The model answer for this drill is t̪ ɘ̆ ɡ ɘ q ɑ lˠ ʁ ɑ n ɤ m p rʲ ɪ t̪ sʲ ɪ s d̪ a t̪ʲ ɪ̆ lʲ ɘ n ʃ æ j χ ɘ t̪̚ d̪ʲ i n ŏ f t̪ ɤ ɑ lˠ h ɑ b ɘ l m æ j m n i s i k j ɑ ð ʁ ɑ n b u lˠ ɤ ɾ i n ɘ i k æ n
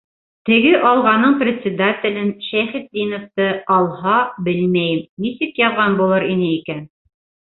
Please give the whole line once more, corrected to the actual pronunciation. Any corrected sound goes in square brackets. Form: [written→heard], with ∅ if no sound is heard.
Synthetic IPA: t̪ ɘ̆ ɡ ɘ [q→ʔ] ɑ lˠ ʁ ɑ n ɤ [m→ɴ] p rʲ ɪ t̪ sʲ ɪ [s→∅] d̪ a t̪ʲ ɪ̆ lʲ ɘ n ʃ æ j χ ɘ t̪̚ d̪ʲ i n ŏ f t̪ ɤ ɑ lˠ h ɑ b ɘ l m æ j m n i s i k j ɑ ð ʁ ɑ n b u lˠ ɤ ɾ i n ɘ i k æ n